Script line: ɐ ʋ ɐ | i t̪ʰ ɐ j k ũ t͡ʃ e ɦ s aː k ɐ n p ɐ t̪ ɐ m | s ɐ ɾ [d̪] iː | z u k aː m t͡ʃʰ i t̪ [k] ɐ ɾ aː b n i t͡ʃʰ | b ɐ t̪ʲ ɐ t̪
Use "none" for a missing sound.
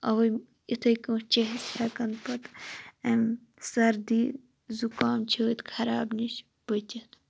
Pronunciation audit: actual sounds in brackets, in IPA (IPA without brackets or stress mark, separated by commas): d̪, kʰ